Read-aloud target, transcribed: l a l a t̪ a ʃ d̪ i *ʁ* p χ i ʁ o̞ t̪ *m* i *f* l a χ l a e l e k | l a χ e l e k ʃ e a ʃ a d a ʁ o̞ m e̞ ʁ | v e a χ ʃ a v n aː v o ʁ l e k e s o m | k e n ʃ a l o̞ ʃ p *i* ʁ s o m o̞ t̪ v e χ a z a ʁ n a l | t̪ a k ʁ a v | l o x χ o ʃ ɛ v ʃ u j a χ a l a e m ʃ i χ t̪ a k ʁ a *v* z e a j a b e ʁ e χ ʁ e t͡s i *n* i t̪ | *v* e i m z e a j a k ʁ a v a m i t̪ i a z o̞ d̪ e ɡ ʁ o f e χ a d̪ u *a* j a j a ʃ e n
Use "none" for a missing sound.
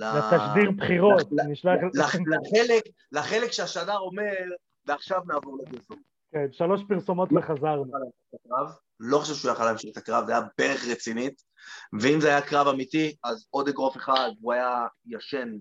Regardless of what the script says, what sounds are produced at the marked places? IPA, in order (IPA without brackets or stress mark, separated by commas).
ʁ, n, ʃ, i, v, n, v, a